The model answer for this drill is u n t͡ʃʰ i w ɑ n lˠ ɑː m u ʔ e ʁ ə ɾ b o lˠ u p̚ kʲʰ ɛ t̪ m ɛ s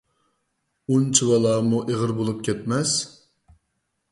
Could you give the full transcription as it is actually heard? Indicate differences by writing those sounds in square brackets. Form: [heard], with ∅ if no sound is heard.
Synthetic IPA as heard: u n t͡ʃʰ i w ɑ [∅] lˠ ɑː m u ʔ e ʁ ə ɾ b o lˠ u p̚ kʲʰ ɛ t̪ m ɛ s